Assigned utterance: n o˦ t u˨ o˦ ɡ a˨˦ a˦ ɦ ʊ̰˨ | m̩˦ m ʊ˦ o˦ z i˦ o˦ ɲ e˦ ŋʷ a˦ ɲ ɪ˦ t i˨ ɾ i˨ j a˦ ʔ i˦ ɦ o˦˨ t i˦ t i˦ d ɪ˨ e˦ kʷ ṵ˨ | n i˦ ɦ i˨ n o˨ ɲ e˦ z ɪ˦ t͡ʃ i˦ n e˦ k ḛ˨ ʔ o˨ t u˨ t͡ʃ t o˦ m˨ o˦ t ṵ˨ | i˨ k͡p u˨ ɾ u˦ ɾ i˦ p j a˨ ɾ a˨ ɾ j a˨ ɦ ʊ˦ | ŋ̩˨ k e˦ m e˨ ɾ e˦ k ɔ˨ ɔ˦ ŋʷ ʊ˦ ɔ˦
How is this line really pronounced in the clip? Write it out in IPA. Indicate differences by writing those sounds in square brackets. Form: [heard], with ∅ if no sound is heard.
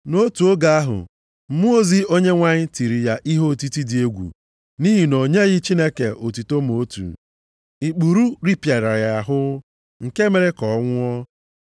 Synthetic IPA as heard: n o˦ t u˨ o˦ ɡ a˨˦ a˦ ɦ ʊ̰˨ | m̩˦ m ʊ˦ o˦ z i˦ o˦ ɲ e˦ ŋʷ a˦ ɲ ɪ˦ t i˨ ɾ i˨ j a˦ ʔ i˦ ɦ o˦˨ t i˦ t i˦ d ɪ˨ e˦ [ɡʷ] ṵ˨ | n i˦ ɦ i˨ n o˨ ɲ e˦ [ɣ] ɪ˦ t͡ʃ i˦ n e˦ k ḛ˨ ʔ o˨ t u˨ [∅] t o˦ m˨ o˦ t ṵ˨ | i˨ k͡p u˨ ɾ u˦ ɾ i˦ p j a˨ ɾ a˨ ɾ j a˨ ɦ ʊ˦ | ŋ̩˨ k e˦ m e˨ ɾ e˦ k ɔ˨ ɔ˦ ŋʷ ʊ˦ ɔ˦